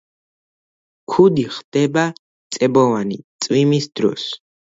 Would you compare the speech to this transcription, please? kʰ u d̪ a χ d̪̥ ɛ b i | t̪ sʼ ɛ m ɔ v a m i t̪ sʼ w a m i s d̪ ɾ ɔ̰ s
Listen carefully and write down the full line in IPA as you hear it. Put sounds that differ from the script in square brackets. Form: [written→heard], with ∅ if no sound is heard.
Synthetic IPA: kʰ u d̪ [a→i] χ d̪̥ ɛ b [i→a] | t̪ sʼ ɛ [m→b] ɔ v a [m→n] i t̪ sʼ w [a→i] m i s d̪ ɾ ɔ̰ s